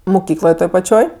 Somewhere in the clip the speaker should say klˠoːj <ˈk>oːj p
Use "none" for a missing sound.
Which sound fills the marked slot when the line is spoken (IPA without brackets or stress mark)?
t